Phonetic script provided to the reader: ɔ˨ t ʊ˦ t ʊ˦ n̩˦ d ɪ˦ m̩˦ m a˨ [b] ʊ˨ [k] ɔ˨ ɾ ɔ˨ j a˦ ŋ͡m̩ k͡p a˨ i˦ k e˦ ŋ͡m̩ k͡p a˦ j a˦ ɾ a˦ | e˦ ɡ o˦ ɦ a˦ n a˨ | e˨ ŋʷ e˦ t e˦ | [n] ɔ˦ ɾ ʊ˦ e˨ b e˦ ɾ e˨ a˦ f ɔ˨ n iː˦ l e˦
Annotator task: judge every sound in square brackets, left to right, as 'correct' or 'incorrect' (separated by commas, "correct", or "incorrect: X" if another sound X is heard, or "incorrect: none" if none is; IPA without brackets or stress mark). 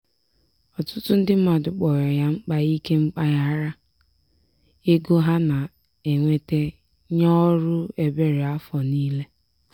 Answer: incorrect: d, incorrect: k͡p, incorrect: ɲ